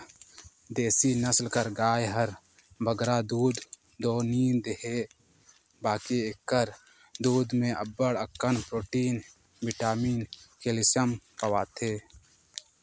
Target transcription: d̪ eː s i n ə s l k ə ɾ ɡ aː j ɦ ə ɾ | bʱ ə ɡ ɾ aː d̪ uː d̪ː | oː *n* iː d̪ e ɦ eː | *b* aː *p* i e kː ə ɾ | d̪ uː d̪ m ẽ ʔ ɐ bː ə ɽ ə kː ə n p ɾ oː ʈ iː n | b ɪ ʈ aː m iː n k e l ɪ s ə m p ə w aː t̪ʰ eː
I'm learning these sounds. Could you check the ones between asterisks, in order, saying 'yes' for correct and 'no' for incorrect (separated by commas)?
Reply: yes, yes, no